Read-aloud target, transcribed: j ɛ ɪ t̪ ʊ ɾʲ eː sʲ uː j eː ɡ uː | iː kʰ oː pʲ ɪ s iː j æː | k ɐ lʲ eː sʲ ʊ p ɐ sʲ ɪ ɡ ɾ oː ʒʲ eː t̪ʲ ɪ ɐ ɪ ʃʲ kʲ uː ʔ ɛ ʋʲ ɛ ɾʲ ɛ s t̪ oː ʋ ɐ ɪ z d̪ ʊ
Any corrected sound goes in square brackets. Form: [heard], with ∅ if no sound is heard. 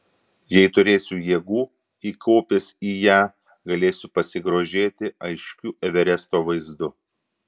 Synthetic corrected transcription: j ɛ ɪ t̪ ʊ ɾʲ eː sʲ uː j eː ɡ uː | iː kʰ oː pʲ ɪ s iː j æː | [ɡ] ɐ lʲ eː sʲ ʊ p ɐ sʲ ɪ ɡ ɾ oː ʒʲ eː t̪ʲ ɪ ɐ ɪ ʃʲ kʲ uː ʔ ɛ ʋʲ ɛ ɾʲ ɛ s t̪ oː ʋ ɐ ɪ z d̪ ʊ

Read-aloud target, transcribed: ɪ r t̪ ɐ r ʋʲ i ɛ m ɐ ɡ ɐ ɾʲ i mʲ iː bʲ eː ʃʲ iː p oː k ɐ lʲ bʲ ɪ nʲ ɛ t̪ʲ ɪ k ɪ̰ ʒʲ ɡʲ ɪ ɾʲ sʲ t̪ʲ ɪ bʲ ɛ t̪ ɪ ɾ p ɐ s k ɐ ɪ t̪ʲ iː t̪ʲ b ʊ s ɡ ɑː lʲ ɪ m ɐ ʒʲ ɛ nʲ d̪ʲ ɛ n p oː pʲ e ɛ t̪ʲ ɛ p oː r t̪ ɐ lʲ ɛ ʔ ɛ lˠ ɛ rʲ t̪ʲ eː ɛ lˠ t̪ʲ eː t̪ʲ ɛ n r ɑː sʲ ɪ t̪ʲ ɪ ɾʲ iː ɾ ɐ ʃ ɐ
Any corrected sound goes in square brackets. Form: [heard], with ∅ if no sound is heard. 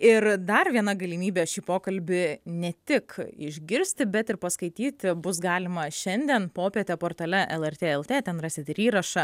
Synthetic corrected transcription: ɪ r [d̪] ɐ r ʋʲ i ɛ [n] ɐ ɡ ɐ [lʲ] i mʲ iː bʲ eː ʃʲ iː p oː k ɐ lʲ bʲ ɪ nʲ ɛ t̪ʲ ɪ k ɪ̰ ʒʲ ɡʲ ɪ ɾʲ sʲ t̪ʲ ɪ bʲ ɛ t̪ ɪ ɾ p ɐ s k ɐ ɪ t̪ʲ iː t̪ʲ b ʊ s ɡ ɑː lʲ ɪ m ɐ [ʃʲ] ɛ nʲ d̪ʲ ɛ n p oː pʲ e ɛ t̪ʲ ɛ p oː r t̪ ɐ lʲ ɛ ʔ ɛ lˠ ɛ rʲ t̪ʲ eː ɛ lˠ t̪ʲ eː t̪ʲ ɛ n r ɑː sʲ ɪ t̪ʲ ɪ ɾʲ iː ɾ ɐ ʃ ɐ

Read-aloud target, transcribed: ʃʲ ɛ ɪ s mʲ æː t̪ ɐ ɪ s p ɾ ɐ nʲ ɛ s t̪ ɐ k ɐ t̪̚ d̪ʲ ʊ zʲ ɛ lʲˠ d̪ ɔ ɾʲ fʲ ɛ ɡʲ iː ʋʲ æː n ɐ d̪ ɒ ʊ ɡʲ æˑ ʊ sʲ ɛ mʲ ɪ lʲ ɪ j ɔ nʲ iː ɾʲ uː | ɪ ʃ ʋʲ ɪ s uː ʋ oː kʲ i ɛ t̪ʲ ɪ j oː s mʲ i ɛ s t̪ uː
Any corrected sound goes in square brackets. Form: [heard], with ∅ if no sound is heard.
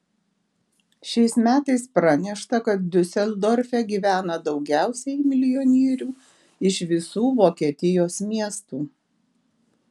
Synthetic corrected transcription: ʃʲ ɛ ɪ s mʲ æː t̪ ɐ ɪ s p ɾ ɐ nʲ ɛ [ʃ] t̪ ɐ k ɐ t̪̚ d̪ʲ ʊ [sʲ] ɛ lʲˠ d̪ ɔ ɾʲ fʲ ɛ ɡʲ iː ʋʲ æː n ɐ d̪ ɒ ʊ ɡʲ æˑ ʊ sʲ ɛ mʲ ɪ lʲ ɪ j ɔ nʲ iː ɾʲ uː | ɪ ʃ ʋʲ ɪ s uː ʋ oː kʲ i ɛ t̪ʲ ɪ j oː s mʲ i ɛ s t̪ uː

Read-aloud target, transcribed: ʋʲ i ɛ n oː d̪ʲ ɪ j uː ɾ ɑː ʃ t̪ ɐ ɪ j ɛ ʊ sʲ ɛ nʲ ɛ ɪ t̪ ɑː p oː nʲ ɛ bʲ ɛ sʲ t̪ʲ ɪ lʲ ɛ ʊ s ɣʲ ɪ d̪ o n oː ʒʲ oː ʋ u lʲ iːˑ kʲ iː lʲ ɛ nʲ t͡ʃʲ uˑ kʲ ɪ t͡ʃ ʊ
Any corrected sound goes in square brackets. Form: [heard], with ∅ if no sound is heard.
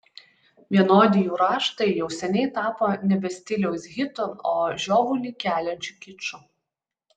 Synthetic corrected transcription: ʋʲ i ɛ n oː d̪ʲ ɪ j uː ɾ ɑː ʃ t̪ ɐ ɪ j ɛ ʊ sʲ ɛ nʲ ɛ ɪ t̪ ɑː p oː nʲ ɛ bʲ ɛ sʲ t̪ʲ ɪ lʲ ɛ ʊ s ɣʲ ɪ [t̪] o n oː ʒʲ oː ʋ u lʲ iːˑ kʲ [æː] lʲ ɛ nʲ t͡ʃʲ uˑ kʲ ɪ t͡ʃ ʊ

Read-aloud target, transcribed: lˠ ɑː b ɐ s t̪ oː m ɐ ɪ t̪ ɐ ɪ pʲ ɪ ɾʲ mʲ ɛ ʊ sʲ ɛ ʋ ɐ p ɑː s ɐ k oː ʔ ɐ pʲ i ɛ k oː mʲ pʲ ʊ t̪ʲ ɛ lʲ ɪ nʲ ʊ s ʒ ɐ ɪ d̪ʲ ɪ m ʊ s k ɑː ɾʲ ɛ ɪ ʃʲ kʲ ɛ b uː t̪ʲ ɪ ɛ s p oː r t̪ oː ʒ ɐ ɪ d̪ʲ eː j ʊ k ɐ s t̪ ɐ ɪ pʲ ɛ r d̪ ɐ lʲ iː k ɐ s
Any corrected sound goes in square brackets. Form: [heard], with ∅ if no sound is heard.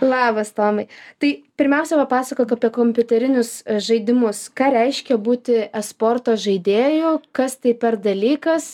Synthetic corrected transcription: lˠ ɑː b ɐ s t̪ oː m ɐ ɪ t̪ ɐ ɪ pʲ ɪ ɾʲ mʲ ɛ ʊ sʲ ɛ ʋ ɐ p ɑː s ɐ k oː [k] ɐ pʲ i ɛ k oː mʲ pʲ ʊ t̪ʲ ɛ [ɾʲ] ɪ nʲ ʊ s ʒ ɐ ɪ d̪ʲ ɪ m ʊ s k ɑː ɾʲ ɛ ɪ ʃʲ kʲ ɛ b uː t̪ʲ ɪ ɛ s p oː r t̪ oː ʒ ɐ ɪ d̪ʲ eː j ʊ k ɐ s t̪ ɐ ɪ pʲ ɛ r d̪ ɐ lʲ iː k ɐ s

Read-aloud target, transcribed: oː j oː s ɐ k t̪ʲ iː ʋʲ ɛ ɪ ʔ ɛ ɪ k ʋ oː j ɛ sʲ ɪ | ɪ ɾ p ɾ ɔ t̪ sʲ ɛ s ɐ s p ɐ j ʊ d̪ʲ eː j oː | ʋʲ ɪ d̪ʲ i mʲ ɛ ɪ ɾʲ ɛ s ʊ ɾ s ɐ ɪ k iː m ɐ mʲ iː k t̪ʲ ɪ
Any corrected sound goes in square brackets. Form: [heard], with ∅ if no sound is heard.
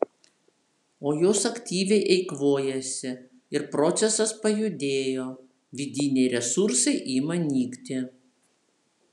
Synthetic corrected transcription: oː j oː s ɐ k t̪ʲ iː ʋʲ ɛ ɪ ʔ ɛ ɪ k ʋ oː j ɛ sʲ ɪ | ɪ ɾ p ɾ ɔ t̪ sʲ ɛ s ɐ s p ɐ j ʊ d̪ʲ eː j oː | ʋʲ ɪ d̪ʲ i [nʲ] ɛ ɪ ɾʲ ɛ s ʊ ɾ s ɐ ɪ [ʔ] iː m ɐ [nʲ] iː k t̪ʲ ɪ

